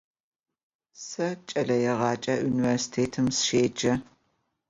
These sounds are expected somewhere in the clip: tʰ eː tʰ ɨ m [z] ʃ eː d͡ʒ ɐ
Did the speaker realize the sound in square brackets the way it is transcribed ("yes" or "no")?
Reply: no